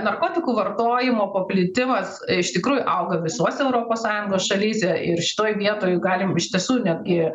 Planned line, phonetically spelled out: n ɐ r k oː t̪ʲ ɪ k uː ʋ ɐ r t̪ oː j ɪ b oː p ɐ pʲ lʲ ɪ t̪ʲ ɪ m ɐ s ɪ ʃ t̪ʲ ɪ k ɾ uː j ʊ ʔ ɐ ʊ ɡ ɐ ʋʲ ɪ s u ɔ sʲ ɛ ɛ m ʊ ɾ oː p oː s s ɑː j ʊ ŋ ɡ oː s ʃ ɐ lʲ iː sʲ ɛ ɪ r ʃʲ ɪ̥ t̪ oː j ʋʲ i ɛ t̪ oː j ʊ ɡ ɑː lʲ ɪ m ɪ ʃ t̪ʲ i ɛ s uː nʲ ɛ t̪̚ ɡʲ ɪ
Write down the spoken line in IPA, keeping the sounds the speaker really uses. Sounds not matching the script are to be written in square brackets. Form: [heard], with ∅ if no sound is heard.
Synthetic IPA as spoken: n ɐ r k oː t̪ʲ ɪ k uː ʋ ɐ r t̪ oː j ɪ [m] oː p ɐ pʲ lʲ ɪ t̪ʲ ɪ m ɐ s ɪ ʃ t̪ʲ ɪ k ɾ uː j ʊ ʔ ɐ ʊ ɡ ɐ ʋʲ ɪ s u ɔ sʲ ɛ ɛ [∅] ʊ ɾ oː p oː s s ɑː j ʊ ŋ ɡ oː s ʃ ɐ lʲ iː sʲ ɛ ɪ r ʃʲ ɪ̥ t̪ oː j ʋʲ i ɛ t̪ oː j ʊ ɡ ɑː lʲ ɪ m ɪ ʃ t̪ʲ i ɛ s uː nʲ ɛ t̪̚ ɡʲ ɪ

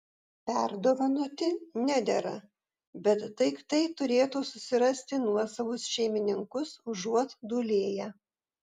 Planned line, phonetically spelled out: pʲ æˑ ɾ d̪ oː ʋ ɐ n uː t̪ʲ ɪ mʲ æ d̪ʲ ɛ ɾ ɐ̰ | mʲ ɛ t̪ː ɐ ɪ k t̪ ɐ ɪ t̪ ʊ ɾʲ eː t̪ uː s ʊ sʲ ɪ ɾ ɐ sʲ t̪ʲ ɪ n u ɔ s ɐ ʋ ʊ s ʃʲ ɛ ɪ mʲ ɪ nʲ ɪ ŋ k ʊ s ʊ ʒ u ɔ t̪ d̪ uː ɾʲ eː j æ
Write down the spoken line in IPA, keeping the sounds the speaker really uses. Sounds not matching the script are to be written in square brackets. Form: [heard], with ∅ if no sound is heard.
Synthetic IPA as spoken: pʲ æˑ ɾ d̪ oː ʋ ɐ n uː t̪ʲ ɪ [nʲ] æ d̪ʲ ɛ ɾ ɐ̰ | [bʲ] ɛ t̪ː ɐ ɪ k t̪ ɐ ɪ t̪ ʊ ɾʲ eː t̪ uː s ʊ sʲ ɪ ɾ ɐ sʲ t̪ʲ ɪ n u ɔ s ɐ ʋ ʊ s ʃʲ ɛ ɪ mʲ ɪ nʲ ɪ ŋ k ʊ s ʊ ʒ u ɔ t̪ d̪ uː [lʲ] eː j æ

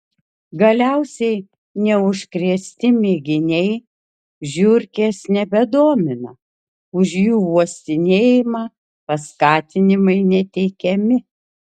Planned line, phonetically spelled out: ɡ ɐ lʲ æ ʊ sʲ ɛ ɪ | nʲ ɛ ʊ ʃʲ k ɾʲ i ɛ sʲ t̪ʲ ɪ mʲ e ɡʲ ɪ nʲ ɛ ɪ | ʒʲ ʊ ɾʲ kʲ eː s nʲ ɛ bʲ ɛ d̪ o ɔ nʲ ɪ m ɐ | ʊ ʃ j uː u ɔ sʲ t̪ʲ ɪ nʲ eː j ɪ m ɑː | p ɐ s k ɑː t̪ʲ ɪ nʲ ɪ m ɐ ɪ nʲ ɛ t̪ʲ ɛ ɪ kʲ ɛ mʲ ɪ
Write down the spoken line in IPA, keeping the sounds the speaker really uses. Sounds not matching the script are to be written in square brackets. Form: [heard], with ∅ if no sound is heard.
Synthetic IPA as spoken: ɡ ɐ lʲ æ ʊ sʲ ɛ ɪ | nʲ ɛ ʊ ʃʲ k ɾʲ i ɛ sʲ t̪ʲ ɪ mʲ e ɡʲ ɪ nʲ ɛ ɪ | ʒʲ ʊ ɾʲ kʲ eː s nʲ ɛ bʲ ɛ d̪ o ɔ [mʲ] ɪ [n] ɐ | ʊ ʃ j uː u ɔ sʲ t̪ʲ ɪ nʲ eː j ɪ m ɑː | p ɐ s k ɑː t̪ʲ ɪ nʲ ɪ m ɐ ɪ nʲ ɛ t̪ʲ ɛ ɪ kʲ ɛ mʲ ɪ

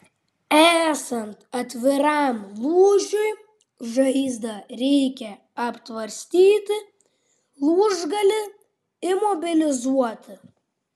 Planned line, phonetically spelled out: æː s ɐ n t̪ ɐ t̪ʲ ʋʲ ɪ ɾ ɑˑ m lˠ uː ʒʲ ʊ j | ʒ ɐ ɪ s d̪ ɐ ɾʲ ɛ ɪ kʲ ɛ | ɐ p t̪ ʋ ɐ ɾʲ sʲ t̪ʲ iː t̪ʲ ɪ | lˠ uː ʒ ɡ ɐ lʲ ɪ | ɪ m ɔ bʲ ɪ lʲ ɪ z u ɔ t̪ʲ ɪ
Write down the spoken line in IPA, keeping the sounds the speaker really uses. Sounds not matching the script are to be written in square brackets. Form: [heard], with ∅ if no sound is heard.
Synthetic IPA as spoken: æː s ɐ n t̪ ɐ t̪ʲ ʋʲ ɪ ɾ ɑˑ m lˠ uː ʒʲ ʊ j | ʒ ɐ ɪ [z] d̪ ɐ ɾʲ ɛ ɪ kʲ ɛ | ɐ p t̪ ʋ ɐ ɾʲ sʲ t̪ʲ iː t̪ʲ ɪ | lˠ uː ʒ ɡ ɐ lʲ ɪ | ɪ m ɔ bʲ ɪ lʲ ɪ z u ɔ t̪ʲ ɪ

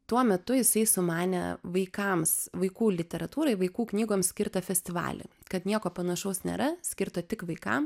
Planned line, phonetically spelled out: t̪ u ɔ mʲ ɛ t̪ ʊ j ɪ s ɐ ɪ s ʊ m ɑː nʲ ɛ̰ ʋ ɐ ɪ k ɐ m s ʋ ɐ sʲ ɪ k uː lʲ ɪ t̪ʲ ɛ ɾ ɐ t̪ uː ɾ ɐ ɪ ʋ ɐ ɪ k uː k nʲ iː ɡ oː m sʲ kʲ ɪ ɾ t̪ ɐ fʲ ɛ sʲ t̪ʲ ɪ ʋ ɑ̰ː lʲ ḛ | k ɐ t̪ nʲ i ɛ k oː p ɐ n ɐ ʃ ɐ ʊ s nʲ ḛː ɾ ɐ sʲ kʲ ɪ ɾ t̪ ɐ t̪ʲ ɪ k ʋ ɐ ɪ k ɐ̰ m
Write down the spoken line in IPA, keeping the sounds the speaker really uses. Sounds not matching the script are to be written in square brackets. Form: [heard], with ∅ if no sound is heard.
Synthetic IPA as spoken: t̪ u ɔ mʲ ɛ t̪ ʊ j ɪ s ɐ ɪ s ʊ m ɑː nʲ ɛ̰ ʋ ɐ ɪ k ɐ m s ʋ ɐ [∅] ɪ k uː lʲ ɪ t̪ʲ ɛ ɾ ɐ t̪ uː ɾ ɐ ɪ ʋ ɐ ɪ k uː k nʲ iː ɡ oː m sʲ kʲ ɪ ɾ t̪ ɐ fʲ ɛ sʲ t̪ʲ ɪ ʋ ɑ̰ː lʲ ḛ | k ɐ t̪ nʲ i ɛ k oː p ɐ n ɐ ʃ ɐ ʊ s nʲ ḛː ɾ ɐ sʲ kʲ ɪ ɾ t̪ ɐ t̪ʲ ɪ k ʋ ɐ ɪ k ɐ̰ m

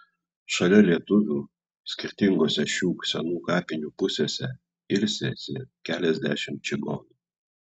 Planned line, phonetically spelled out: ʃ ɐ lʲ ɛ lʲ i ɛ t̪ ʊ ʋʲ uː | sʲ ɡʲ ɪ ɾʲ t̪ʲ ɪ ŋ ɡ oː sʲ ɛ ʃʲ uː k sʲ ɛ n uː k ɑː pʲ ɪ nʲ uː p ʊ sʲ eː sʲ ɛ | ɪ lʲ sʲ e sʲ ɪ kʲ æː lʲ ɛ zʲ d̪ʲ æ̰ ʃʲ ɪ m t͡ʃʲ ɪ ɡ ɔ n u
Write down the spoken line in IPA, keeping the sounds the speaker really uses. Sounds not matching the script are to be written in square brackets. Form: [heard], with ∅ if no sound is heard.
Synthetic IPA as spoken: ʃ ɐ lʲ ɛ lʲ i ɛ t̪ ʊ ʋʲ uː | sʲ [kʲ] ɪ ɾʲ t̪ʲ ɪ ŋ ɡ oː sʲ ɛ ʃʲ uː k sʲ ɛ n uː k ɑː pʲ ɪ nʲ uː p ʊ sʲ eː sʲ ɛ | ɪ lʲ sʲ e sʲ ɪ kʲ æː lʲ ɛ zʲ d̪ʲ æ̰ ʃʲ ɪ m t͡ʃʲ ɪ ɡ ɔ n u

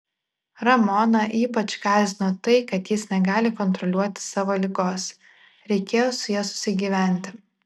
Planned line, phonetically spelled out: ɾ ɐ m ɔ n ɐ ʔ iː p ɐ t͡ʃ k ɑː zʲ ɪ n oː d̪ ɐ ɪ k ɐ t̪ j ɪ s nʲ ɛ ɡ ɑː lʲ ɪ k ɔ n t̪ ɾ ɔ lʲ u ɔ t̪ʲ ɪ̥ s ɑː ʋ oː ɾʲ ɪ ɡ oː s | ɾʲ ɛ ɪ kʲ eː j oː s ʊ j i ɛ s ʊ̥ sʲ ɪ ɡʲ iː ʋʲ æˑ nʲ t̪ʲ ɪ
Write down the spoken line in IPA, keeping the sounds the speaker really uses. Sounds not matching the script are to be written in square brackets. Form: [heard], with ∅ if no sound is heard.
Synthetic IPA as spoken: ɾ ɐ m ɔ n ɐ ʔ iː p ɐ t͡ʃ k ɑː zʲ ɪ n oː [t̪] ɐ ɪ k ɐ t̪ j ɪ s nʲ ɛ ɡ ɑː lʲ ɪ k ɔ n t̪ ɾ ɔ lʲ u ɔ t̪ʲ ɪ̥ s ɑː ʋ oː [lʲ] ɪ ɡ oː s | ɾʲ ɛ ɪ kʲ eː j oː s ʊ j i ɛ s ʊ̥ sʲ ɪ ɡʲ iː ʋʲ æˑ nʲ t̪ʲ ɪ

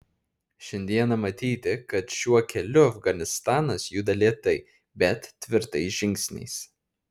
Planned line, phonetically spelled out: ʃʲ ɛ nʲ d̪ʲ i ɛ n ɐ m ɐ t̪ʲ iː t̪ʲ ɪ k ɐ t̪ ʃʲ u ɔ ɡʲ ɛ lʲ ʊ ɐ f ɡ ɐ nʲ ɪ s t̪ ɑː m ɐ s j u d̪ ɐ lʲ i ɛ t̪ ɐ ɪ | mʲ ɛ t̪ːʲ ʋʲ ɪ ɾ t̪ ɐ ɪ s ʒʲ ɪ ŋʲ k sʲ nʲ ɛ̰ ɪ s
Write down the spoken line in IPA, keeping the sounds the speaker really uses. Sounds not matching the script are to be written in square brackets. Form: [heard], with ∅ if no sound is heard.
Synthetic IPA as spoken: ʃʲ ɛ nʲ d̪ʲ i ɛ n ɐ m ɐ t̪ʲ iː t̪ʲ ɪ k ɐ t̪ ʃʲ u ɔ [kʲ] ɛ lʲ ʊ ɐ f ɡ ɐ nʲ ɪ s t̪ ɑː [n] ɐ s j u d̪ ɐ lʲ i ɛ t̪ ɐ ɪ | [bʲ] ɛ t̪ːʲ ʋʲ ɪ ɾ t̪ ɐ ɪ s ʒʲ ɪ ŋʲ k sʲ nʲ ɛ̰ ɪ s

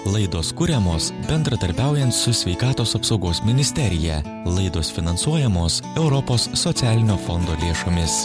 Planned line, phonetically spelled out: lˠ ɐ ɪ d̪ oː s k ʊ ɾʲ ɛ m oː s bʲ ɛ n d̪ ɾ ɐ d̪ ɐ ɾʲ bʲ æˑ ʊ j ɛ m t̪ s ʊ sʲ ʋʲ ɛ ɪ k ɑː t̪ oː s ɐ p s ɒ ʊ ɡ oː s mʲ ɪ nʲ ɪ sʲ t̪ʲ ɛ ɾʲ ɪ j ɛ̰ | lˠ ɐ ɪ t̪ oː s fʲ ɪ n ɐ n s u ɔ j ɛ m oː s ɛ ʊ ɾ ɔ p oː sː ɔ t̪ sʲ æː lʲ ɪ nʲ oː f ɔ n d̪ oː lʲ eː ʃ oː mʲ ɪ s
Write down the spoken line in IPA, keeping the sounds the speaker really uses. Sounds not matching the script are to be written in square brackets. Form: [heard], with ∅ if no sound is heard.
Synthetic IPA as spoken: lˠ ɐ ɪ d̪ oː s k ʊ ɾʲ ɛ m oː s bʲ ɛ n d̪ ɾ ɐ d̪ ɐ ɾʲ bʲ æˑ ʊ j ɛ [n] t̪ s ʊ sʲ ʋʲ ɛ ɪ k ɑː t̪ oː s ɐ p s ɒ ʊ ɡ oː s mʲ ɪ nʲ ɪ sʲ t̪ʲ ɛ ɾʲ ɪ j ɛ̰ | lˠ ɐ ɪ [d̪] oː s fʲ ɪ n ɐ n s u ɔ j ɛ m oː s ɛ ʊ ɾ ɔ p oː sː ɔ t̪ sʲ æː lʲ ɪ nʲ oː f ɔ n d̪ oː lʲ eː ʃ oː mʲ ɪ s

